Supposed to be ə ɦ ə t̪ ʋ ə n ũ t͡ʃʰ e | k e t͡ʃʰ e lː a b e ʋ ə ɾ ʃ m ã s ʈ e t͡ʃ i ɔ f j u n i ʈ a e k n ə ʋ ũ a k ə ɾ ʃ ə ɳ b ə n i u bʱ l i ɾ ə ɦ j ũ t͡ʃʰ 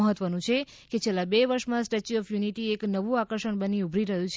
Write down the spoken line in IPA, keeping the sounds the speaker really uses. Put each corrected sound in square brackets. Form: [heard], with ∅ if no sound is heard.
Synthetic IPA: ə ɦ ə t̪ ʋ ə n ũ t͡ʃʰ e | k e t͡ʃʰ e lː a b e ʋ ə ɾ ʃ m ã s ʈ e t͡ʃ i ɔ f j u n i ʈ [i] e k n ə ʋ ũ a k ə ɾ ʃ ə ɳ b ə n i u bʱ [ɾ] i ɾ ə ɦ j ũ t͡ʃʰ